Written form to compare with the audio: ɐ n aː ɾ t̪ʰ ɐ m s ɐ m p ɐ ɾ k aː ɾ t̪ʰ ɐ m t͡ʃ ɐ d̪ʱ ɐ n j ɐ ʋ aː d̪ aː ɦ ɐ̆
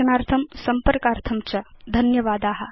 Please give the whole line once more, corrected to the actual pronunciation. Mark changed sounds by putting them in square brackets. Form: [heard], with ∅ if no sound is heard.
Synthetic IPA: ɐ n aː ɾ t̪ʰ ɐ m s ɐ m p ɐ ɾ k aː ɾ t̪ʰ ɐ m t͡ʃ ɐ d̪ʱ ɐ n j ɐ ʋ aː d̪ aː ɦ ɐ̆